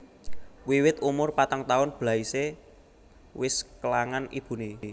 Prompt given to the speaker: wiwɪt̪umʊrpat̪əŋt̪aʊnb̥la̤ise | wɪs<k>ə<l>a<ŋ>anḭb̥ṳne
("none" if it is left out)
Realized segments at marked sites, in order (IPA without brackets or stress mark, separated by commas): k, l, ŋ